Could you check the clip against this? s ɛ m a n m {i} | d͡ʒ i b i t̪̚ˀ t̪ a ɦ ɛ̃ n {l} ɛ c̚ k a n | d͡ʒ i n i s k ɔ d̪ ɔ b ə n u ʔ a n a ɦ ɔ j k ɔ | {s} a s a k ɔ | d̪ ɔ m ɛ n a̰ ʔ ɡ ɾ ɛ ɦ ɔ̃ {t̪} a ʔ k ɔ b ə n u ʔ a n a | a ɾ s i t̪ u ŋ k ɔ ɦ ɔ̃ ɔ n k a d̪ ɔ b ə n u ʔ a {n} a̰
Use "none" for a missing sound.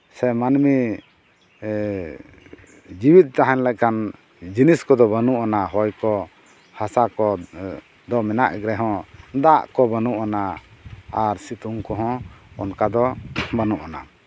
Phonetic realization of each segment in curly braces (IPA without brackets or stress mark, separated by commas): i, l, h, d̪, n